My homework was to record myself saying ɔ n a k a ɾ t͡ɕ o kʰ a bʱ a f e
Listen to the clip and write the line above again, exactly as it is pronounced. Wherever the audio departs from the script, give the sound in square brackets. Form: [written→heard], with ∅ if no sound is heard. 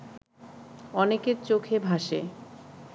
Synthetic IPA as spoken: ɔ n [a→e] k [a→e] ɾ t͡ɕ o kʰ [a→e] bʱ a [f→ʃ] e